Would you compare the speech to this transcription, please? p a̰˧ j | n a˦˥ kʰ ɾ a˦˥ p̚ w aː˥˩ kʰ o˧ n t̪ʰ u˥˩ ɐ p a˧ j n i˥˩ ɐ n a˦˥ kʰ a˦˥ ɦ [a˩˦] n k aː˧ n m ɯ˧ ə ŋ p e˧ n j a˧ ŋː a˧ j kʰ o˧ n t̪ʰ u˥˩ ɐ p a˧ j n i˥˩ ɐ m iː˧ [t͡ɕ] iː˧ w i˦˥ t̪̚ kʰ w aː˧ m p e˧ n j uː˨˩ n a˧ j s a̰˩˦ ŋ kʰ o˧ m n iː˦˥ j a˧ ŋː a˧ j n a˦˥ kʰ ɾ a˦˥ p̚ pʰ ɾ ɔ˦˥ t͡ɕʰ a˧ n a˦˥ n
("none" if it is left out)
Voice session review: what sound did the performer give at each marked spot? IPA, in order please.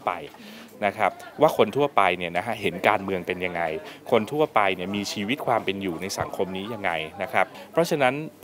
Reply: e˩˦, t͡ɕʰ

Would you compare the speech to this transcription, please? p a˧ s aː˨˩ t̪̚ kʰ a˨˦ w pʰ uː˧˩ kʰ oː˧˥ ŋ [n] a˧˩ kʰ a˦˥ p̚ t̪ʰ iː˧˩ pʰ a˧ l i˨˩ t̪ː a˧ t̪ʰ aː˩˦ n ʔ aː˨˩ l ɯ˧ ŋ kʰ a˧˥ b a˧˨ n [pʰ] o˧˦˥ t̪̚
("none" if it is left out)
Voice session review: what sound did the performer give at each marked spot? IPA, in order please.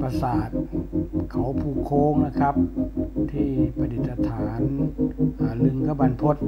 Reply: n, pʰ

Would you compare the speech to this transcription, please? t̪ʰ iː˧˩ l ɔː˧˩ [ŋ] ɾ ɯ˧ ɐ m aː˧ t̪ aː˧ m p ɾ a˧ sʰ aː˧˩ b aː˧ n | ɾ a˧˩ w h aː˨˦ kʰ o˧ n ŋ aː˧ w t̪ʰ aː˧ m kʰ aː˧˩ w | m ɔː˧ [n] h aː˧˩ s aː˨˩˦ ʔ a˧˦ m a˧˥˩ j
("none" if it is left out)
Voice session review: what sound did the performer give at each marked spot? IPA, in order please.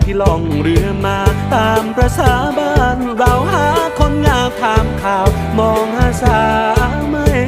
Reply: ŋ, ŋ

